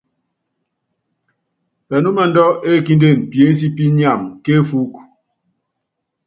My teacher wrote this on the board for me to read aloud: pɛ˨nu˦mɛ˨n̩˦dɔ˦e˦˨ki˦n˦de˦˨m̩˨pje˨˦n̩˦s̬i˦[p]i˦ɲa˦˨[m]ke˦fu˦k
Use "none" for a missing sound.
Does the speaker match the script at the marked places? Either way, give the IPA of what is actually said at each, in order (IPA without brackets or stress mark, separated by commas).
p, m